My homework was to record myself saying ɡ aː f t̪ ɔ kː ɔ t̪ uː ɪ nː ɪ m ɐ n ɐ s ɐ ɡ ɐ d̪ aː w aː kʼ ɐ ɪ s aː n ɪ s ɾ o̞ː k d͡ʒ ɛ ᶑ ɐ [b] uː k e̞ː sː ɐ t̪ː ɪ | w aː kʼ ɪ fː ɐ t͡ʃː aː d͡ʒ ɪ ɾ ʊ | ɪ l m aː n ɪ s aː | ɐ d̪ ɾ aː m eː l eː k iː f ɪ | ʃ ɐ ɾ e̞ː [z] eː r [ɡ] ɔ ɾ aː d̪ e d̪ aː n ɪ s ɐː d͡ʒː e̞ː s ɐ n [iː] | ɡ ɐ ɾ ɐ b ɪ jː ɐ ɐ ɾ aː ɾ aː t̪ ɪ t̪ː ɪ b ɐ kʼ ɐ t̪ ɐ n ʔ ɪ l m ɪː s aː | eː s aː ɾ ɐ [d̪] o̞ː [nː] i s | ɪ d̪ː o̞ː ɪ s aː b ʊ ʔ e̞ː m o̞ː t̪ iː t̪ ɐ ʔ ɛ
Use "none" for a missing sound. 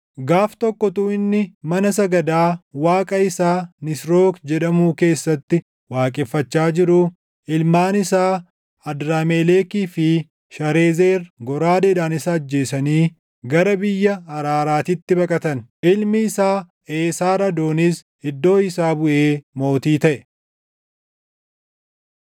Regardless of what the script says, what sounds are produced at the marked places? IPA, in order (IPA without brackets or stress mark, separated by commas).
m, z, ɡ, iː, d̪, n